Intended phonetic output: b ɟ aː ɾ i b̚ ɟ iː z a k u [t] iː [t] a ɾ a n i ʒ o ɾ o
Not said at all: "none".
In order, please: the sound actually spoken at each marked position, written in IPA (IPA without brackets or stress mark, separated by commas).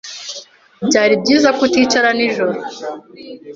t, t͡ʃ